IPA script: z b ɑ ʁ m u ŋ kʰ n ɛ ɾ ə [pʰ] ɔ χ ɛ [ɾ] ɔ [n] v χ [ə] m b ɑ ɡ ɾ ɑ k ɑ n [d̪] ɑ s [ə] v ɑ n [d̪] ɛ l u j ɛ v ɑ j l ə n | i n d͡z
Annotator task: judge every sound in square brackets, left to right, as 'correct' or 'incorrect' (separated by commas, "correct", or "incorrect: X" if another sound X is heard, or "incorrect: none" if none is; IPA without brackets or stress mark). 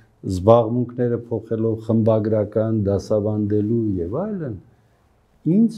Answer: correct, incorrect: l, incorrect: none, correct, correct, incorrect: ɑ, correct